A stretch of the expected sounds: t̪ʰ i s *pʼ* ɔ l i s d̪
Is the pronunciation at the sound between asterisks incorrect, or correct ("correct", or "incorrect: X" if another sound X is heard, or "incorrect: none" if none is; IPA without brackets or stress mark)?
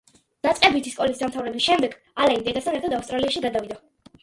incorrect: kʼ